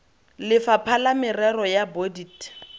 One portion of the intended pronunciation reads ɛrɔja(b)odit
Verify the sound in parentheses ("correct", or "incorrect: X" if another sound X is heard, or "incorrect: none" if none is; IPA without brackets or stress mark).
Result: correct